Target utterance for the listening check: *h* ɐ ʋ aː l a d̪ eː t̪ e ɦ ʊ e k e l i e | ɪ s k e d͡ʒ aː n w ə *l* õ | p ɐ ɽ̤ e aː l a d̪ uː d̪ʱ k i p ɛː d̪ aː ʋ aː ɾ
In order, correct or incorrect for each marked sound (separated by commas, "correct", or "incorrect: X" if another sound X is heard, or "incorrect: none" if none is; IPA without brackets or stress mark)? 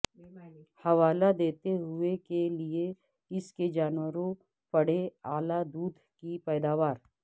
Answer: correct, incorrect: ɾ